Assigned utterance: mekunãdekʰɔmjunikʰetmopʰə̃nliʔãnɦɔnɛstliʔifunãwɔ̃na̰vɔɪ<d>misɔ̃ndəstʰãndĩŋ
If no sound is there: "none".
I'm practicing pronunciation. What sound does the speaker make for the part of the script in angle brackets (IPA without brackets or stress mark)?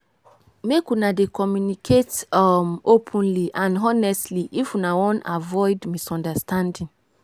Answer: d